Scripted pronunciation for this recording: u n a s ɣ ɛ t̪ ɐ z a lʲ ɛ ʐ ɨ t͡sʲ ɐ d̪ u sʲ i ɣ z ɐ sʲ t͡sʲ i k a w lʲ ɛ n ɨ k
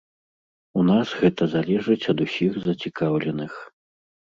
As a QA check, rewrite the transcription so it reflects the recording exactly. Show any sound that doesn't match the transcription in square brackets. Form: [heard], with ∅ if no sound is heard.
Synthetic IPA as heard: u n a s ɣ ɛ t̪ ɐ z a lʲ ɛ ʐ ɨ t͡sʲ ɐ d̪ u sʲ i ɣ z ɐ [∅] t͡sʲ i k a w lʲ ɛ n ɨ [x]